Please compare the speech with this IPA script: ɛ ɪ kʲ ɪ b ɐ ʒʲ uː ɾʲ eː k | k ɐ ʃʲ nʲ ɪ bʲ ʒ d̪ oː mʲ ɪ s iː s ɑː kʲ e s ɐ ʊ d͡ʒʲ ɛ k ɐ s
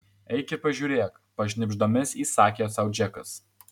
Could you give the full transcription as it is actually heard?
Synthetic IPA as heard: ɛ ɪ kʲ ɪ p ɐ ʒʲ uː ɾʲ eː k | p ɐ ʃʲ nʲ ɪ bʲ ʒ d̪ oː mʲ ɪ s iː s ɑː kʲ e s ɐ ʊ d͡ʒʲ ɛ k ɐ s